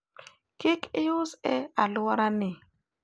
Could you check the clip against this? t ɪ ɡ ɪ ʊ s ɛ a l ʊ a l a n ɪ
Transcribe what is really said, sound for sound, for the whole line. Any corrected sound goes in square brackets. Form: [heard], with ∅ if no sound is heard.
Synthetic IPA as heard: [k] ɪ [k] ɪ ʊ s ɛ a l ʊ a [ɾ] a n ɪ